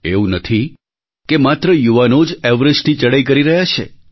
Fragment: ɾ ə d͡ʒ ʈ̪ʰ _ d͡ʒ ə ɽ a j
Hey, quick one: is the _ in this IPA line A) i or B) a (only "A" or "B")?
A